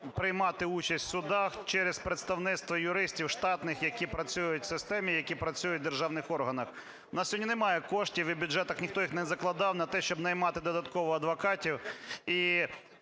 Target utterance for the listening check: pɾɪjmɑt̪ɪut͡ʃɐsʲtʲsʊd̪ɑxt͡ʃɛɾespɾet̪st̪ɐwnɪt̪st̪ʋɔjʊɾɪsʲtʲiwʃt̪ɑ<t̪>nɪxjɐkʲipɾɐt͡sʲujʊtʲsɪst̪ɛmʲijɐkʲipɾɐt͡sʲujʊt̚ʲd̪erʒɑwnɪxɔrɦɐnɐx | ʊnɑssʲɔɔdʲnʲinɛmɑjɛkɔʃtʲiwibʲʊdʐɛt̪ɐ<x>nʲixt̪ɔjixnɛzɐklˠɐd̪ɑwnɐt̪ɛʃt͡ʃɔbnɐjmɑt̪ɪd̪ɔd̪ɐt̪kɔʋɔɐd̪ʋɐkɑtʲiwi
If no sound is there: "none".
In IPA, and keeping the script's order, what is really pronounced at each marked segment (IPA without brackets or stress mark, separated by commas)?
t̪, x